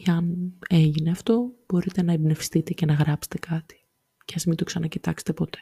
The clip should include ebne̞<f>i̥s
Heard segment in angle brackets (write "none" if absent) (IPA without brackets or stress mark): f